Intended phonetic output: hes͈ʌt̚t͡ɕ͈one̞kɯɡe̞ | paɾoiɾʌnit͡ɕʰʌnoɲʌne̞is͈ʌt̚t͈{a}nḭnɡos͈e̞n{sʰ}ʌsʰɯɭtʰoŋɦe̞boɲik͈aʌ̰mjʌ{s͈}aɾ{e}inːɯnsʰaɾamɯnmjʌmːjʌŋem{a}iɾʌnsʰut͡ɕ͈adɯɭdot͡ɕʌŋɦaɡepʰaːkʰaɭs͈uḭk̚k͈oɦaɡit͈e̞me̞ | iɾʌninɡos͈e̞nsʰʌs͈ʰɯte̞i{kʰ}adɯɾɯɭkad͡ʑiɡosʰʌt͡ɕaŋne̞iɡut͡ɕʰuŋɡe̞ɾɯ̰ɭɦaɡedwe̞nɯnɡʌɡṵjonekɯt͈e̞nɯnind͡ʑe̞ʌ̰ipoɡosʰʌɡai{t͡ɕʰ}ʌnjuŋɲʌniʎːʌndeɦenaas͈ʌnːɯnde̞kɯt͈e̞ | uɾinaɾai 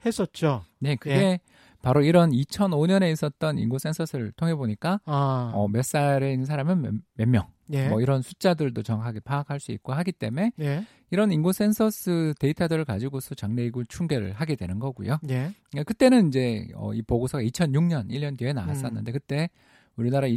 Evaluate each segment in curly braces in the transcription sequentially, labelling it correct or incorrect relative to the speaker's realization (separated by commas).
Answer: incorrect, correct, correct, correct, incorrect, incorrect, correct